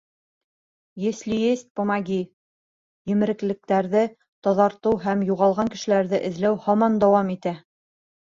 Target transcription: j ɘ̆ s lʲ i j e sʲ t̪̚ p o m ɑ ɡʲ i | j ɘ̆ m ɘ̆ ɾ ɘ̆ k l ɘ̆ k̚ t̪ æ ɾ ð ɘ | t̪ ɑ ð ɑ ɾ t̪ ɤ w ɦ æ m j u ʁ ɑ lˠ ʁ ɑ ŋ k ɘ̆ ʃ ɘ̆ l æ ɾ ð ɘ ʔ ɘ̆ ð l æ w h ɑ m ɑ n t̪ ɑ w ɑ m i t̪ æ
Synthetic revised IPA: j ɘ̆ s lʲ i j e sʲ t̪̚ p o m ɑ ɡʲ i | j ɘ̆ m ɘ̆ ɾ ɘ̆ k l ɘ̆ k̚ t̪ æ ɾ ð ɘ | t̪ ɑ ð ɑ ɾ t̪ ɤ w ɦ æ m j u ʁ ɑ lˠ ʁ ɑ ŋ k ɘ̆ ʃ ɘ̆ l æ ɾ ð ɘ ʔ ɘ̆ ð l æ w h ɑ m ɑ n d̪ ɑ w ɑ m i t̪ æ